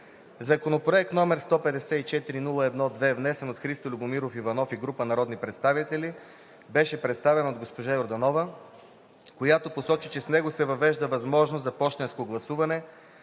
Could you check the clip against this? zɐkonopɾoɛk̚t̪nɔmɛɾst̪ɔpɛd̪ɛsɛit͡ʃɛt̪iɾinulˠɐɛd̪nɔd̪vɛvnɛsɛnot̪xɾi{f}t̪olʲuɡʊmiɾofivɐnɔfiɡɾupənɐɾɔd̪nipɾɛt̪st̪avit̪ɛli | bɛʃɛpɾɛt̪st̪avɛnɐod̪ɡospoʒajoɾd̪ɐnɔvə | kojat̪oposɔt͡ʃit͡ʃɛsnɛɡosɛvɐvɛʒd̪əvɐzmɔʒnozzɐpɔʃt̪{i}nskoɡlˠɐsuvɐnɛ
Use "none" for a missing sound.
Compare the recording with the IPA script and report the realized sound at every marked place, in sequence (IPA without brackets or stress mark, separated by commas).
s, ɛ